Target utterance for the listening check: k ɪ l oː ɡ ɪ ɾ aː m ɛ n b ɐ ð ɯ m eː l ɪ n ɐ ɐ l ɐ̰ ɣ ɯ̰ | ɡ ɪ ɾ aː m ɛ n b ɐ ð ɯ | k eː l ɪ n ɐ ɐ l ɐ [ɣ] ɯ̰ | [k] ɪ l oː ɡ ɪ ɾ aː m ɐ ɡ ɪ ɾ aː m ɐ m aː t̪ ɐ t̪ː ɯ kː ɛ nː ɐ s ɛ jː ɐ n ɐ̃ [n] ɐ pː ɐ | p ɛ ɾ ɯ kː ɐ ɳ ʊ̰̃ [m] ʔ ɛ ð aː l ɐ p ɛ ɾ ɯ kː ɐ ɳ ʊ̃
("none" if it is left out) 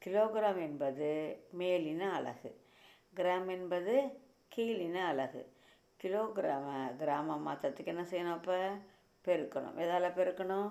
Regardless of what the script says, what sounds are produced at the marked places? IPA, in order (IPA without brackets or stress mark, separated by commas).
ɣ, k, none, m